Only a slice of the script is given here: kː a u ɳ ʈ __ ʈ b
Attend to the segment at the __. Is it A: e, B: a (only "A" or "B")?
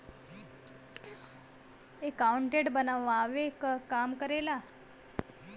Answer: A